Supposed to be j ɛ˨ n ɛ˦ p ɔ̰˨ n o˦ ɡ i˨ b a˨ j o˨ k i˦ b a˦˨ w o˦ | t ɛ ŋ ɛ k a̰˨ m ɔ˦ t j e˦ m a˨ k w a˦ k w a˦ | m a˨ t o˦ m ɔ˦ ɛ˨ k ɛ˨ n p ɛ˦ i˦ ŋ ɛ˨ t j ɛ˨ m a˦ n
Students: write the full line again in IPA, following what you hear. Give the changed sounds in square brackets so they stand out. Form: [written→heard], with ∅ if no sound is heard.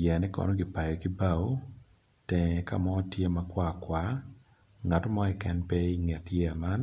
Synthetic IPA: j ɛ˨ n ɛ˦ [p→k] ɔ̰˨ n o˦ ɡ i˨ [b→p] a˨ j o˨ k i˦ b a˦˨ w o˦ | t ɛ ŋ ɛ k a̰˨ m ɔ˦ t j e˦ m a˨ k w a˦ k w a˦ | [m→ŋ] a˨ t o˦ m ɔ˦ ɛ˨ k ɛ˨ n p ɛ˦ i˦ ŋ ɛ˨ t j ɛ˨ m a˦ n